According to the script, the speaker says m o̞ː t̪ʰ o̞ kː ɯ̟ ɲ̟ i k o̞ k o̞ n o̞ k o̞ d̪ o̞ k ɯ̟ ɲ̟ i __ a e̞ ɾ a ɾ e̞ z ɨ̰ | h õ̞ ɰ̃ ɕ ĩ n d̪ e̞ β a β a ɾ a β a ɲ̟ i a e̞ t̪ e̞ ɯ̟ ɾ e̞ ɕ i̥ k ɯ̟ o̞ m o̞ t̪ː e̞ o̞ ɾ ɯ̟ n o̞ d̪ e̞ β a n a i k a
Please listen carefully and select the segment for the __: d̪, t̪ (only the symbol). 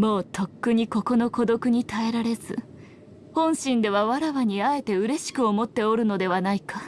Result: t̪